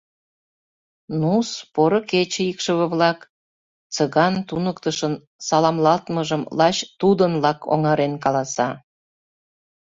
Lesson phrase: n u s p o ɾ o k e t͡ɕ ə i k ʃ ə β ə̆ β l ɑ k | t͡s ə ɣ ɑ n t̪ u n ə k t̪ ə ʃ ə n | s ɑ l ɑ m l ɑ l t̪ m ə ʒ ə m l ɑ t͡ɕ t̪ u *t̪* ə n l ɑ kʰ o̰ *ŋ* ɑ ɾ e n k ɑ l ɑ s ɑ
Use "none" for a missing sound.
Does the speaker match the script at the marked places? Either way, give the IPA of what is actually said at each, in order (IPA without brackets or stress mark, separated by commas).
d̪, ŋ